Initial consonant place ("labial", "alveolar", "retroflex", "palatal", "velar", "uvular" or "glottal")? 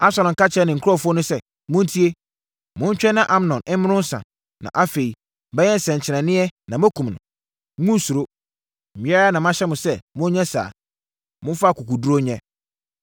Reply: alveolar